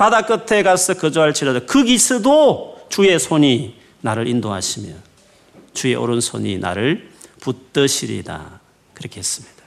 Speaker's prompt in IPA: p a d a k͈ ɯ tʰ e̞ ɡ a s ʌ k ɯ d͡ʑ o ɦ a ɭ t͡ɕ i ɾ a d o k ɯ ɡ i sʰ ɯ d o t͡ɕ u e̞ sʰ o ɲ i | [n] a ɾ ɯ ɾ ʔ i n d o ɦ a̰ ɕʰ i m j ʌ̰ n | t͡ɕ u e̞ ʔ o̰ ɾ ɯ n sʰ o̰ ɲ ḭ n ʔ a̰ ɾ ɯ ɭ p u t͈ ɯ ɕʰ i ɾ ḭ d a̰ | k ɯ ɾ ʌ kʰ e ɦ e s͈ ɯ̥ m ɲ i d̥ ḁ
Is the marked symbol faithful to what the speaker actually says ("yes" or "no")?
yes